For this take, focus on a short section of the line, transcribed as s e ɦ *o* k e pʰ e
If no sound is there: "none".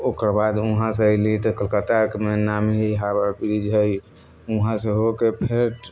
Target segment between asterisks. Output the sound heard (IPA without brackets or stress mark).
o